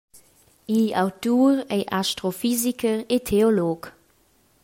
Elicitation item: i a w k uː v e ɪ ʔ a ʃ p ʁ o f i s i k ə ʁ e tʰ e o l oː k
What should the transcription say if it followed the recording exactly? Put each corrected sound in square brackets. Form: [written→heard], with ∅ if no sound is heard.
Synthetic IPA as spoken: i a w [k→t] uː [v→ʁ] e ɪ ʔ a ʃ [p→t] ʁ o f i [s→z] i k ə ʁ e tʰ e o l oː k